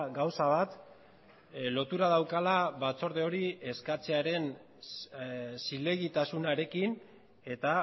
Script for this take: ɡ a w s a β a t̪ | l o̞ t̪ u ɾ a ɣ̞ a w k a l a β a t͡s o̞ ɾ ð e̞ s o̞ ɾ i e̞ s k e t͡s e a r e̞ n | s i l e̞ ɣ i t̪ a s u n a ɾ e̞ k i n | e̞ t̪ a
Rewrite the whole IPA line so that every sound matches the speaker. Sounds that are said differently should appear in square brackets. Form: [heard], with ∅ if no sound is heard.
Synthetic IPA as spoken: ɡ a w s a β a t̪ | l o̞ t̪ u ɾ a [ð̞] a w k a l a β a t͡s o̞ ɾ ð e̞ [∅] o̞ ɾ i e̞ s k [a] t͡s e a [ɾ] e̞ n | s i l e̞ ɣ i t̪ a s u n a ɾ e̞ k i n | e̞ t̪ a